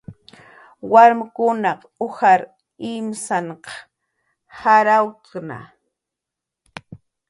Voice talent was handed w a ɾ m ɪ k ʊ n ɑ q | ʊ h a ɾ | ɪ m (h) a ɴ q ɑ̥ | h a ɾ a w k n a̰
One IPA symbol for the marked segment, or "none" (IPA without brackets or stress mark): s